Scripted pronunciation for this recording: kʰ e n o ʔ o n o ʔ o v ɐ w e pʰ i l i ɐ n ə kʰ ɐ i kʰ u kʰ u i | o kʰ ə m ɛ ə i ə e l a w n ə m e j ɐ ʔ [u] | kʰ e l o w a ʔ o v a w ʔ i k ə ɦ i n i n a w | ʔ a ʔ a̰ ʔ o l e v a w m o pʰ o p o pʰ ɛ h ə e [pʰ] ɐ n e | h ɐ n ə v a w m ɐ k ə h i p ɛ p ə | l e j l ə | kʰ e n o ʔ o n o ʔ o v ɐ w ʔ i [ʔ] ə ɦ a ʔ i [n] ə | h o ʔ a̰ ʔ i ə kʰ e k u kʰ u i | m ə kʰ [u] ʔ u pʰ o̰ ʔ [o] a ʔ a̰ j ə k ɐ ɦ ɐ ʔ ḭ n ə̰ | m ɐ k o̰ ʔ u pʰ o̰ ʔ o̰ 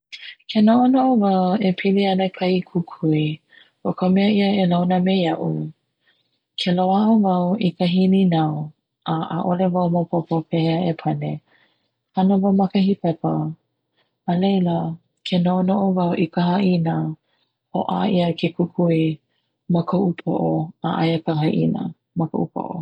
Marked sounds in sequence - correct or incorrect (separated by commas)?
correct, correct, incorrect, correct, incorrect, correct